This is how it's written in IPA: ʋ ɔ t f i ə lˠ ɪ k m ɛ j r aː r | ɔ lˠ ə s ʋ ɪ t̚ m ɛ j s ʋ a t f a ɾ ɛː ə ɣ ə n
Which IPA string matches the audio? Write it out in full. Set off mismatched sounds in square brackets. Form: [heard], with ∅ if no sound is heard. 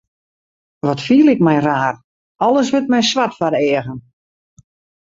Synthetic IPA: ʋ ɔ t f i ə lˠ ɪ k m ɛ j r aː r | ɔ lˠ ə s ʋ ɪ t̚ m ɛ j s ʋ a t f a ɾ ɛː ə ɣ ə n

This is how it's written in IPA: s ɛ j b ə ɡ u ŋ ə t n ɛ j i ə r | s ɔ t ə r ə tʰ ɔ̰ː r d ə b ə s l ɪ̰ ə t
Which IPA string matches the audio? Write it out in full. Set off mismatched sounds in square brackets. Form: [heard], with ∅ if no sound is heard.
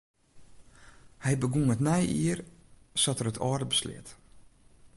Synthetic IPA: [h] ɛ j b ə ɡ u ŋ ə t n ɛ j i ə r | s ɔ t ə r ə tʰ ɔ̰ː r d ə b ə s l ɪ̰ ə t

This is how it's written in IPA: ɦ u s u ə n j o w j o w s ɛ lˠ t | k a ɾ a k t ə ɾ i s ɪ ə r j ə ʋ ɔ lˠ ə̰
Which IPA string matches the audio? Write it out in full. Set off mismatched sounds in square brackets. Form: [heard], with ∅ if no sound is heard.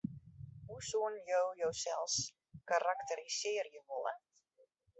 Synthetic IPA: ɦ u s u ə n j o w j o w s ɛ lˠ [s] | k a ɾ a k t ə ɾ i s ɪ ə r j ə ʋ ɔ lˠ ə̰

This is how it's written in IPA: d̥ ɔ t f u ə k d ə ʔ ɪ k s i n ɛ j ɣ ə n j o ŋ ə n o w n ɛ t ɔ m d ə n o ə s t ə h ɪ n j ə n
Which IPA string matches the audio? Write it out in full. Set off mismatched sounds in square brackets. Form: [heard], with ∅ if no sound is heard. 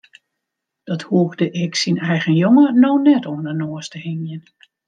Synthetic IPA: d̥ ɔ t [h] u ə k d ə ʔ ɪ k s i n ɛ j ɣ ə n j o ŋ ə n o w n ɛ t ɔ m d ə n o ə s t ə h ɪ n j ə n

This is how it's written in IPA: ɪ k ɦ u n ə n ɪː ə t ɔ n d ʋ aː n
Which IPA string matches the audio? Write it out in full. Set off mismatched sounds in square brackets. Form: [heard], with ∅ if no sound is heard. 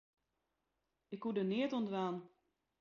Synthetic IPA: ɪ k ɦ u [d] ə n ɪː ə t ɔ n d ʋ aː n

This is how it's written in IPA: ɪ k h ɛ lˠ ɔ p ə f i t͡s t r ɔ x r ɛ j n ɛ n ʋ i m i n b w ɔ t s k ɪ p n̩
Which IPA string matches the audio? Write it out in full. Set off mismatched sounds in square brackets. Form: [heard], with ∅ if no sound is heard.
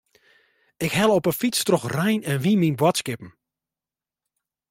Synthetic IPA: ɪ k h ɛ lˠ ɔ p ə f i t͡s t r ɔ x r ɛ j n ɛ n ʋ i m i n b w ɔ t s k ɪ p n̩

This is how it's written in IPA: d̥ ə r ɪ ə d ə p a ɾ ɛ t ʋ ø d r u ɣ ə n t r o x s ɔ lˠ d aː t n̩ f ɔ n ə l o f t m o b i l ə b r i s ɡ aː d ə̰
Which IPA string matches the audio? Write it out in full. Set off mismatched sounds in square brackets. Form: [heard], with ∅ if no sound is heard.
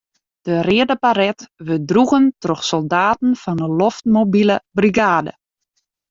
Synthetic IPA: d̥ ə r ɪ ə d ə p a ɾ ɛ t ʋ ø d r u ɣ ə n t r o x s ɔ lˠ d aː t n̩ f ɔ n ə l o f t m o b i l ə b r i [∅] ɡ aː d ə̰

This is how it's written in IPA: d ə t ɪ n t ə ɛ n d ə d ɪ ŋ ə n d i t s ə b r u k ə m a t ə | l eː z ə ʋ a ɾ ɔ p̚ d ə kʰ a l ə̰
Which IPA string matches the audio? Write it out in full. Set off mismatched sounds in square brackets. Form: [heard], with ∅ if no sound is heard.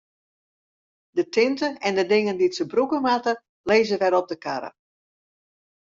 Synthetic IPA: d ə t ɪ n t ə ɛ n d ə d ɪ ŋ ə n d i t s ə b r u k ə m a t ə | l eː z ə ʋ [ɛ] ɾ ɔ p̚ d ə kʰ a [ɾ] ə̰

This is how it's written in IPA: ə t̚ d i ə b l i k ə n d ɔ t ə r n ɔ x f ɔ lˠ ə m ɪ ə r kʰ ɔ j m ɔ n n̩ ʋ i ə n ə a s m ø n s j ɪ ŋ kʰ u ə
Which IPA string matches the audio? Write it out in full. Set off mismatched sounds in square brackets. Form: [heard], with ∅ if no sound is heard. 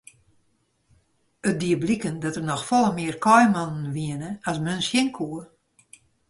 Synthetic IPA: ə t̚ d i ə b l i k ə n d ɔ t ə r n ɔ x f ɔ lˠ ə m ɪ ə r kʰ ɔ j m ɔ n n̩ ʋ i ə n ə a s m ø n s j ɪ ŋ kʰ u ə

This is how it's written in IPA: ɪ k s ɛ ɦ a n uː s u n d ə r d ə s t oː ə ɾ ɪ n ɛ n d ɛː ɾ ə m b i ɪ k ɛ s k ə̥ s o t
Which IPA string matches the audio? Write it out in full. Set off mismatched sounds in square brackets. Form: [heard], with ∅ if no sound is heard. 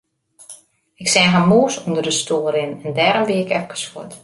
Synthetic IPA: ɪ k s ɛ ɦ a [m] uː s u n d ə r d ə s t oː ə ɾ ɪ n ɛ n d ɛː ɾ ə m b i ɪ k ɛ [f] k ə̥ s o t

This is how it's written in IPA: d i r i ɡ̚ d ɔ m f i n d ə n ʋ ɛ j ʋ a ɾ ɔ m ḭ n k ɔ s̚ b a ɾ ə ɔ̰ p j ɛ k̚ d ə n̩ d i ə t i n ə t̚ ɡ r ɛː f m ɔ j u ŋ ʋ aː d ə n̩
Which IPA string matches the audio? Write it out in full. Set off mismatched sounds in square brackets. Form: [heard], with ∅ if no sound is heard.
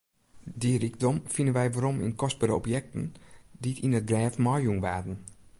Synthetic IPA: d i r i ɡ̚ d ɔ m f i n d ə n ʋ ɛ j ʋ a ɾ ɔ m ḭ n k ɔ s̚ b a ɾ ə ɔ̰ p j ɛ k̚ [t] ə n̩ d i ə t i n ə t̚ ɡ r ɛː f m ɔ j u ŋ ʋ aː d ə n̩

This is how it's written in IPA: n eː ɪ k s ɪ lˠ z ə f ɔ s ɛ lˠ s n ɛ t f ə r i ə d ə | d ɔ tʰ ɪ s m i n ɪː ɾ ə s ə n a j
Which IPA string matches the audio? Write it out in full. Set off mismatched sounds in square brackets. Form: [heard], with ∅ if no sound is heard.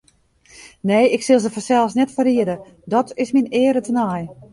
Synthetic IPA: n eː ɪ k s ɪ lˠ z ə f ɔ s ɛ lˠ s n ɛ t f ə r i ə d ə | d ɔ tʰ ɪ s m i n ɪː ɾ ə [t] ə n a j

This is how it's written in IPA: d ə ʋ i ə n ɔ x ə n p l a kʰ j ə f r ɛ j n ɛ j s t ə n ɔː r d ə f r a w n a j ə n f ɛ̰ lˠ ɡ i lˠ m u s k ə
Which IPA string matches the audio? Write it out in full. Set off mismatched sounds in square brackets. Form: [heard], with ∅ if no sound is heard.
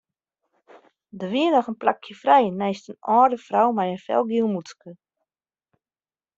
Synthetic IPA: d ə ʋ i ə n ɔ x ə n p l a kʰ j ə f r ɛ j n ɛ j s t ə n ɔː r d ə f r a w [m] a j ə n f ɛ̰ lˠ ɡ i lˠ m u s k ə

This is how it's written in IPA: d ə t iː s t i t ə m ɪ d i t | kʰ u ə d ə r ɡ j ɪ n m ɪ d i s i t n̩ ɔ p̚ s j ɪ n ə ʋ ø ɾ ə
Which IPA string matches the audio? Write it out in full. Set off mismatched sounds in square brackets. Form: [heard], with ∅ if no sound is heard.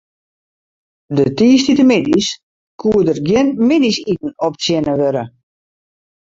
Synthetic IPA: d ə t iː s t i t ə m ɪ d i [s] | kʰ u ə d ə r ɡ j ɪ n m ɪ d i s i t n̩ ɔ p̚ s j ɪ n ə ʋ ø ɾ ə

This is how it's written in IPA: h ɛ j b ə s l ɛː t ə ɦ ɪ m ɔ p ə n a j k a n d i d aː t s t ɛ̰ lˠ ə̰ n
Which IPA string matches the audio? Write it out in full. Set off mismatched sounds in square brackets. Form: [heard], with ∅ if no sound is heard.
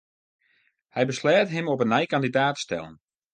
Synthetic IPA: h ɛ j b ə s l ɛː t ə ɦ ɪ m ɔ p ə n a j k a n d i d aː t s t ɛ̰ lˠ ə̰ n

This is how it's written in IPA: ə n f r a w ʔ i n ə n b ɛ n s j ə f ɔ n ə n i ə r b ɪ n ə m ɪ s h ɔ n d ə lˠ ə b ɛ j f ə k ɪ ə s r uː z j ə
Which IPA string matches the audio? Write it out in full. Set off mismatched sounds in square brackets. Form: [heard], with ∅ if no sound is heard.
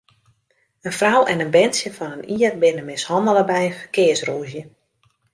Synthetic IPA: ə n f r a w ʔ [ɛ] n ə n b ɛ n s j ə f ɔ n ə n i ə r b ɪ n ə m ɪ s h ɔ n d ə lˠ ə b ɛ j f ə k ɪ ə s r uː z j ə

